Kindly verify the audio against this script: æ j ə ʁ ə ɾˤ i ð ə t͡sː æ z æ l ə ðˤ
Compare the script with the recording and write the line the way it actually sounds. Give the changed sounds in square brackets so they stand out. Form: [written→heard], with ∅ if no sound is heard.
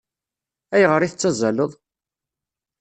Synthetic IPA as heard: æ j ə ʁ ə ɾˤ i [ð→θ] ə t͡sː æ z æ l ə ðˤ